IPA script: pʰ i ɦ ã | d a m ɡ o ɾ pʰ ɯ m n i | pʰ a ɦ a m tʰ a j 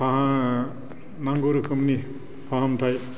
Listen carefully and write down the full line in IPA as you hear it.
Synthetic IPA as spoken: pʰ a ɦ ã | n a ŋ ɡ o ɾ kʰ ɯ m n i | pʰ a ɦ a m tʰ a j